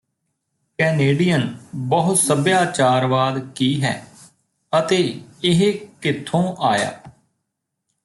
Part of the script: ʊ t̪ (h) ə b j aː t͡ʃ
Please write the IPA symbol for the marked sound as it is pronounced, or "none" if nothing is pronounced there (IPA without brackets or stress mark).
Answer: s